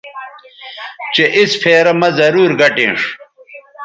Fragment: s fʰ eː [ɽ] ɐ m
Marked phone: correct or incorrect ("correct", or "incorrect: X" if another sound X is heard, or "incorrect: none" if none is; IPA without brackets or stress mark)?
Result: incorrect: ɾ